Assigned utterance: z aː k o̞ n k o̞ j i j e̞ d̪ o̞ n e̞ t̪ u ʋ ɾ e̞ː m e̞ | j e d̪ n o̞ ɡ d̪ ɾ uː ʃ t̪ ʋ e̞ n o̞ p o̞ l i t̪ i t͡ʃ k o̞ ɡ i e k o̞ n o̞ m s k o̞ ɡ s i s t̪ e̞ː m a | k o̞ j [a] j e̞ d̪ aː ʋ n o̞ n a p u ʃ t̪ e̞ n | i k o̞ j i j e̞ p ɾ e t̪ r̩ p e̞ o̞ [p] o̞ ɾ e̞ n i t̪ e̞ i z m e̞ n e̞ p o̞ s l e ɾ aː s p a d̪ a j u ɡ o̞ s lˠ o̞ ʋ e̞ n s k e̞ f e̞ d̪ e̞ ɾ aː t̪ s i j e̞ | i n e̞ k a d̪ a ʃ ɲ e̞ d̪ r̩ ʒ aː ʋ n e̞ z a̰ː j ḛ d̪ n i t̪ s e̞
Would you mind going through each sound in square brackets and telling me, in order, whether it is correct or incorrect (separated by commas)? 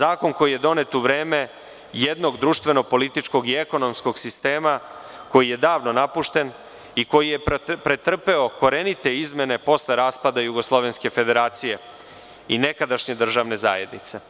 incorrect, incorrect